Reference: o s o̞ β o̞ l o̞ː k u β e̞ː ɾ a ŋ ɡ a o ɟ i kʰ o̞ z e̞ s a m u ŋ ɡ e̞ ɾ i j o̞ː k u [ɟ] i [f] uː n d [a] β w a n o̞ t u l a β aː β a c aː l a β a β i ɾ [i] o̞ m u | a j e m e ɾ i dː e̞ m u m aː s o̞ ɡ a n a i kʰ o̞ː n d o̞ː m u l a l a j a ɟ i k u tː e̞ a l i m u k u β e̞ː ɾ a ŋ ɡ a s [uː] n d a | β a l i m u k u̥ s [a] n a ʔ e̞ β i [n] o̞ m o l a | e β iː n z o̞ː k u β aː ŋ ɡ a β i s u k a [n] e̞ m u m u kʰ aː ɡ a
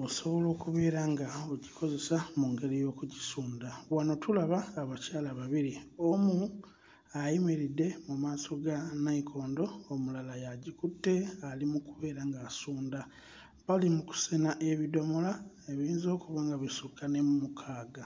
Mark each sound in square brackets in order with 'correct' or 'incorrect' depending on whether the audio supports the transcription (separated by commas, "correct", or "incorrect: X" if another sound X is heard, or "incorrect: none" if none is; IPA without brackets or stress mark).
correct, incorrect: s, correct, correct, correct, incorrect: e, incorrect: d, correct